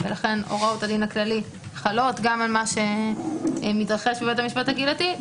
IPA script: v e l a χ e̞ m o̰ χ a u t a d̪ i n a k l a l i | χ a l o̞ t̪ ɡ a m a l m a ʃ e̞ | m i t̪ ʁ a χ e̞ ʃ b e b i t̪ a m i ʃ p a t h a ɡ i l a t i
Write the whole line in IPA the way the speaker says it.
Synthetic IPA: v e l a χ e̞ n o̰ ʁ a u t a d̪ i n a k l a l i | χ a l o̞ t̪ ɡ a m a l m a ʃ e̞ | m i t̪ ʁ a χ e̞ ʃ b e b e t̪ a m i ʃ p a t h a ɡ i l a t i